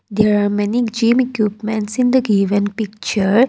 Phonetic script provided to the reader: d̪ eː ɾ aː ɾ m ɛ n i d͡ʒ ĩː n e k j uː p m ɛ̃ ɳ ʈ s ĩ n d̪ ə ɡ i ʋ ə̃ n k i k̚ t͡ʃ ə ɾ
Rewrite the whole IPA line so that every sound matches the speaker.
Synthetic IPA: d̪ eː ɾ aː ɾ m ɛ n i d͡ʒ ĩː m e k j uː p m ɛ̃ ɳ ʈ s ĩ n d̪ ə ɡ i ʋ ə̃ n p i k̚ t͡ʃ ə ɾ